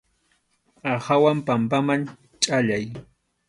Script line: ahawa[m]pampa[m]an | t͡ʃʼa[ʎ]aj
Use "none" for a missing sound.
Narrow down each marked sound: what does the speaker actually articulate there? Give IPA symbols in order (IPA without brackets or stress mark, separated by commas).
m, m, ʎ